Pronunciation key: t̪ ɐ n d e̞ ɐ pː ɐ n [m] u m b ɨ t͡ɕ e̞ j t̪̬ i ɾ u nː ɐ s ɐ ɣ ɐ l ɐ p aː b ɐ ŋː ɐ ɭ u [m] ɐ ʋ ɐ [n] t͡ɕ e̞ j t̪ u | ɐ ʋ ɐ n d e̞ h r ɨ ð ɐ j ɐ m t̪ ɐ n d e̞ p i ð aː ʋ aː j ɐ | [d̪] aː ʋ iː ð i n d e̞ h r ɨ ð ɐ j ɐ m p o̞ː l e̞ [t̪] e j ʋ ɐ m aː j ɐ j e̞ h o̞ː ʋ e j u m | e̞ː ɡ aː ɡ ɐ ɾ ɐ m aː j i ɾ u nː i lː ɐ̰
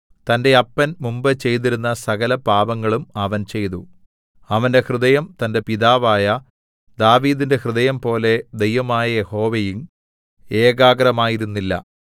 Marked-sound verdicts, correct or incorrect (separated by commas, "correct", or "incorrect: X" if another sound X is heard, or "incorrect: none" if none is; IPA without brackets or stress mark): correct, correct, correct, correct, incorrect: d̪